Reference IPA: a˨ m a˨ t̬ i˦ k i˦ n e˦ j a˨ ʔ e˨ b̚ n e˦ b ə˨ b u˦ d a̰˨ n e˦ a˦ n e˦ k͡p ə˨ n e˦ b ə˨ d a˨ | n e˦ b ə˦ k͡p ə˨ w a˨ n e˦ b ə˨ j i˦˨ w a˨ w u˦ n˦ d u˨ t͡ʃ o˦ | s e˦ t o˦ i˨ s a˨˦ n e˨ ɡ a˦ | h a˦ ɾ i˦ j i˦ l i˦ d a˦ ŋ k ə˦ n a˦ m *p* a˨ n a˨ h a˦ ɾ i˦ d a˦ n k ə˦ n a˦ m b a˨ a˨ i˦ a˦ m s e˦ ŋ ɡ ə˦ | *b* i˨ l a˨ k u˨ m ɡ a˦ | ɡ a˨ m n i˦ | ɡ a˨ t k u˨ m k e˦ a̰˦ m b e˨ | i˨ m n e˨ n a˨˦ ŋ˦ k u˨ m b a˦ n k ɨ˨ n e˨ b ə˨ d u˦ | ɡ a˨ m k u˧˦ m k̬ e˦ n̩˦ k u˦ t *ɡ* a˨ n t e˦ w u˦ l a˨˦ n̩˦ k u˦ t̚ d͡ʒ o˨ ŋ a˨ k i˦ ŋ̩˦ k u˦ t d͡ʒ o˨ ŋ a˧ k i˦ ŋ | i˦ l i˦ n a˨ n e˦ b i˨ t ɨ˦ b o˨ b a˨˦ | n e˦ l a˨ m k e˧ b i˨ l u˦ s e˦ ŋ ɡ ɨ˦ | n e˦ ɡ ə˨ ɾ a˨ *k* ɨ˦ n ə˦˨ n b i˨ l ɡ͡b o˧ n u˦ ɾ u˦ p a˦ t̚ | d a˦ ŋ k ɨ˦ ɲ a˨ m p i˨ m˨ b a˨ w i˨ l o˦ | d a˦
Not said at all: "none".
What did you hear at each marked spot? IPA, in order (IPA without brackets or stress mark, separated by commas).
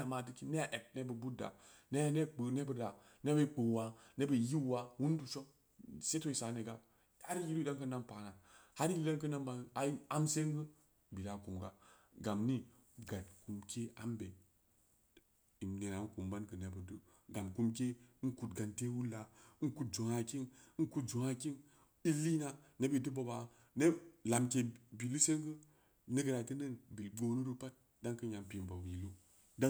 p, b, ɡ, t